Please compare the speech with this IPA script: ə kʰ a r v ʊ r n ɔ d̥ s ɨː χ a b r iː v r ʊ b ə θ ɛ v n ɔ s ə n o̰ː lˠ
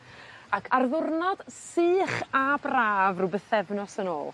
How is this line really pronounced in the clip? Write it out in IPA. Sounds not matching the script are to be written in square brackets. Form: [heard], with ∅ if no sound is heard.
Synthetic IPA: [a] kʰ a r [ð] ʊ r n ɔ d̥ s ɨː χ a b r [aː] v r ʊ b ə θ ɛ v n ɔ s ə n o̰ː lˠ